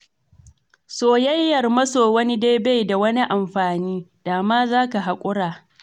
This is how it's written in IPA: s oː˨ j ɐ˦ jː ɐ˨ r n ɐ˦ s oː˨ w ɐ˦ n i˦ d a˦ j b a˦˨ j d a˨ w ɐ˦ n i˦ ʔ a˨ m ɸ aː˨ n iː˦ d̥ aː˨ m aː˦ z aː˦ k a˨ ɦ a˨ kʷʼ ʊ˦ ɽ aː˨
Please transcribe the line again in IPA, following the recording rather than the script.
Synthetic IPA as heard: s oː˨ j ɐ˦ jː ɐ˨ r m ɐ˦ s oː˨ w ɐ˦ n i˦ d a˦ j b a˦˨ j d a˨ w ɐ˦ n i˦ ʔ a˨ m ɸ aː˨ n iː˦ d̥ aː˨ m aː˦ z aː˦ k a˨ ɦ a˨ kʷʼ ʊ˦ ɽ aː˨